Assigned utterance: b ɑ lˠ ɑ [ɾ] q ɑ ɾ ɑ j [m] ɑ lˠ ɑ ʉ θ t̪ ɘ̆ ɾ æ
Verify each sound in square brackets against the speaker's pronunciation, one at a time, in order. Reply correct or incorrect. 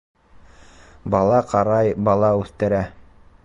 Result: incorrect: none, incorrect: b

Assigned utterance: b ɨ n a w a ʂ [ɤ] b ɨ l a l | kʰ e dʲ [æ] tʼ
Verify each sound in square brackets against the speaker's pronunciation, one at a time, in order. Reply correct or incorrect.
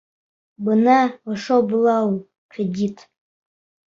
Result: incorrect: o, incorrect: i

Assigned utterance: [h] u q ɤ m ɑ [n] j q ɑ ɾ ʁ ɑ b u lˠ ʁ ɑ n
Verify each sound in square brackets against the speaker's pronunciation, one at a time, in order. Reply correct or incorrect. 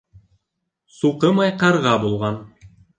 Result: incorrect: s, incorrect: none

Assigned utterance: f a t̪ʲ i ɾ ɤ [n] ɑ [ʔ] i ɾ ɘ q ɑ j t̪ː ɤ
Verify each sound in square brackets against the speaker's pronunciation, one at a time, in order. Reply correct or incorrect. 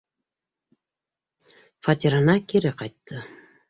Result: correct, incorrect: k

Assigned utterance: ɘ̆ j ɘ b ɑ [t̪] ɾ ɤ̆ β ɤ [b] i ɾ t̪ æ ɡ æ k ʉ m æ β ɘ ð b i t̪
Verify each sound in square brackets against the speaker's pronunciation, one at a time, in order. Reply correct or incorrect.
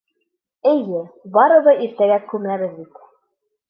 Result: incorrect: none, incorrect: none

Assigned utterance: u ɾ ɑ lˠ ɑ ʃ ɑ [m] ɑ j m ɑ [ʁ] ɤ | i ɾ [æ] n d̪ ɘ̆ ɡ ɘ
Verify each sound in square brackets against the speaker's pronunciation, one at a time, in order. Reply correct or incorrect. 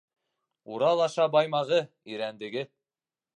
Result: incorrect: b, correct, correct

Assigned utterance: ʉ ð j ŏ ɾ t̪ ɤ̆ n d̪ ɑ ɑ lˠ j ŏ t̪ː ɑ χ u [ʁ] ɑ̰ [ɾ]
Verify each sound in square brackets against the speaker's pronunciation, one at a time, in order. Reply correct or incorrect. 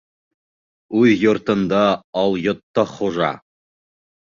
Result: incorrect: ʒ, incorrect: none

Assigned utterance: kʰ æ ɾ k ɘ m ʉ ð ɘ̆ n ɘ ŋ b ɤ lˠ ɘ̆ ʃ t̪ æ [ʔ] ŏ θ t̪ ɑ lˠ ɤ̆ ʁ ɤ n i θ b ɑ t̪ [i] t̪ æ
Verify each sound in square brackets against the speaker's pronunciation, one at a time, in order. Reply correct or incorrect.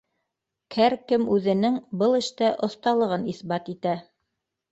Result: correct, correct

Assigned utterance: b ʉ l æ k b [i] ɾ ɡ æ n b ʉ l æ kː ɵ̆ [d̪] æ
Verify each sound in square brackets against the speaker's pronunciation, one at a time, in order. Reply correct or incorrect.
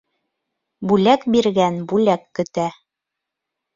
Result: correct, incorrect: t̪

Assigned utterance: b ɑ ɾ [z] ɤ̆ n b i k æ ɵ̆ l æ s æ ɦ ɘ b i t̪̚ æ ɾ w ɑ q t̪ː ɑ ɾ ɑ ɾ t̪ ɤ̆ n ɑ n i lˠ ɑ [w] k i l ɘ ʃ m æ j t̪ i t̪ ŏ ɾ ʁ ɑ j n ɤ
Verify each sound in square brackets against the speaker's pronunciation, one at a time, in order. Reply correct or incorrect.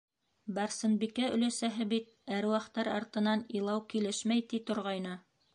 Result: incorrect: s, correct

